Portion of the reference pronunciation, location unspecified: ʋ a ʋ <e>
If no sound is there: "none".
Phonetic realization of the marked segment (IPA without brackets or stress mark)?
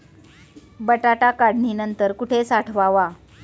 a